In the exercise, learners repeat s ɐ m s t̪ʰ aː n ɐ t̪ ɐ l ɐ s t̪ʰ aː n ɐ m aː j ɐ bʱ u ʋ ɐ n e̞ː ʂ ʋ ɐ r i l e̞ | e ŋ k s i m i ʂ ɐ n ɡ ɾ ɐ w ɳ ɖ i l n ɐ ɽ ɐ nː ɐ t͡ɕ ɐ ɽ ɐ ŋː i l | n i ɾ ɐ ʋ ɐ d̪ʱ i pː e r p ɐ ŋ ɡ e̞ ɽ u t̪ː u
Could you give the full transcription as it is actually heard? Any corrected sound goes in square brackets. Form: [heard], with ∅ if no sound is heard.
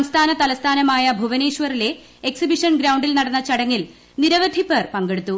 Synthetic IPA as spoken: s ɐ m s t̪ʰ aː n ɐ t̪ ɐ l ɐ s t̪ʰ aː n ɐ m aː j ɐ bʱ u ʋ ɐ n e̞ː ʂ ʋ ɐ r i l e̞ | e [∅] k s i [b] i ʂ ɐ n ɡ ɾ ɐ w ɳ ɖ i l n ɐ ɽ ɐ nː ɐ t͡ɕ ɐ ɽ ɐ ŋː i l | n i ɾ ɐ ʋ ɐ d̪ʱ i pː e r p ɐ ŋ ɡ e̞ ɽ u t̪ː u